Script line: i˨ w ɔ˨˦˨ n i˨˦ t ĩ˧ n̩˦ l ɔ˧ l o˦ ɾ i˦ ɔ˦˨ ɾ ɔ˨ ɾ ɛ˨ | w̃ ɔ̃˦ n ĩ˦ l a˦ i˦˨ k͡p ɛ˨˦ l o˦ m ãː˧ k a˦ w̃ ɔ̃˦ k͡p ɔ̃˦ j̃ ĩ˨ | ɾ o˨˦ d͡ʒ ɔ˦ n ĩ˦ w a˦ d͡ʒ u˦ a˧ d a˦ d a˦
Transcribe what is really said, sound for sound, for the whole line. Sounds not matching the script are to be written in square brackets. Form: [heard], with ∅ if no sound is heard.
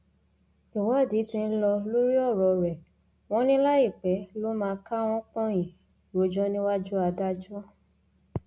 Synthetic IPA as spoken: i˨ w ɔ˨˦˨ [d] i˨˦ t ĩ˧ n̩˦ l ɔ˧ l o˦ ɾ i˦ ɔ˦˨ ɾ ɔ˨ ɾ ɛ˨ | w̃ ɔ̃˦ n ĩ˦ l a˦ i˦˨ k͡p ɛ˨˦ l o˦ m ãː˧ k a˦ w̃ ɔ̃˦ k͡p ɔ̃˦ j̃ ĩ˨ | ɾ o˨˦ d͡ʒ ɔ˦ n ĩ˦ w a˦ d͡ʒ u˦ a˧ d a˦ [d͡ʒ] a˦